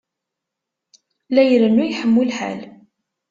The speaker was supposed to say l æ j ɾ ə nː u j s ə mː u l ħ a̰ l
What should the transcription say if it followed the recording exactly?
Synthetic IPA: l æ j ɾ ə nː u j ħ ə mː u l ħ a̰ l